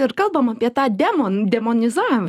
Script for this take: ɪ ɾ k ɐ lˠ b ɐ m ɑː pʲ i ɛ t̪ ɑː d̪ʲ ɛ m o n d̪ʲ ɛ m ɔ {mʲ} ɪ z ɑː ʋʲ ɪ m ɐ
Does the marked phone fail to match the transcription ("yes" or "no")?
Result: yes